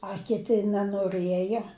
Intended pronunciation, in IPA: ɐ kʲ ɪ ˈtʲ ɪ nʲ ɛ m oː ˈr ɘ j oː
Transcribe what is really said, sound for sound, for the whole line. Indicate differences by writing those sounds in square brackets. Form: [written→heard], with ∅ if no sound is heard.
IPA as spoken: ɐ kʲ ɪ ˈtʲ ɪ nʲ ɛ [m→n] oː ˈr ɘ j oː